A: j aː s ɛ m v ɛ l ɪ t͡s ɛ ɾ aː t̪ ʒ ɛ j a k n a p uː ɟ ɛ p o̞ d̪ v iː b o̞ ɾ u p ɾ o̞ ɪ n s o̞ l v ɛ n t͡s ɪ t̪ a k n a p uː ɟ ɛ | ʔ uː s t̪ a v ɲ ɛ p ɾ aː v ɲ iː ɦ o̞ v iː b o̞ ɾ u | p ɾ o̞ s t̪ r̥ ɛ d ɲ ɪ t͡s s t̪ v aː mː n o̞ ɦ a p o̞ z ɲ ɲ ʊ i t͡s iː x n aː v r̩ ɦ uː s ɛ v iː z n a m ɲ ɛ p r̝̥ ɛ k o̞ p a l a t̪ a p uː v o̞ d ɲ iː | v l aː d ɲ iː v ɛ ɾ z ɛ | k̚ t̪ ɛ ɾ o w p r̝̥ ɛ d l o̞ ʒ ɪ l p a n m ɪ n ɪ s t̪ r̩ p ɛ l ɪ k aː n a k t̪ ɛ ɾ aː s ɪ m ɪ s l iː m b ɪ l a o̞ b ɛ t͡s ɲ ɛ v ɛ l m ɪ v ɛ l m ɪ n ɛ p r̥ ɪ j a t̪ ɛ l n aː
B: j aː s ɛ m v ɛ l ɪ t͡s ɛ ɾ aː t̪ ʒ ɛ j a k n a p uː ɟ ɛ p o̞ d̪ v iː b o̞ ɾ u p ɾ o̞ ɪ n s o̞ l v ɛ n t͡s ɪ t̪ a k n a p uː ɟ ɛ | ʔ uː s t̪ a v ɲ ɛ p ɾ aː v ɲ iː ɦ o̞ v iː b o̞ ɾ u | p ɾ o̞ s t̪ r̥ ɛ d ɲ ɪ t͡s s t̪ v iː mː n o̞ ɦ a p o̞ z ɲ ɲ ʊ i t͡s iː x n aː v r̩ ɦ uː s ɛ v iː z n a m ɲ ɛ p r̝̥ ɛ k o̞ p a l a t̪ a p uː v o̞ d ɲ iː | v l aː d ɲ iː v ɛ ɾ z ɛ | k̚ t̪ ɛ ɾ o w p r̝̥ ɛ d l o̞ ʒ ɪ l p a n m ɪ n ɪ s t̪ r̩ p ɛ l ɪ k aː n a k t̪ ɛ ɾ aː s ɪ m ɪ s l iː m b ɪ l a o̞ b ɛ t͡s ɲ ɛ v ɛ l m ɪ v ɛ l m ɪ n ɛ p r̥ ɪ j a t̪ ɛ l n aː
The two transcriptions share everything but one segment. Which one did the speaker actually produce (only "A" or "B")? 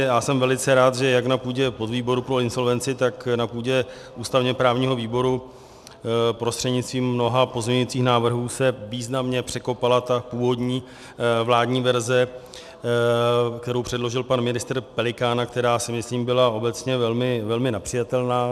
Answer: B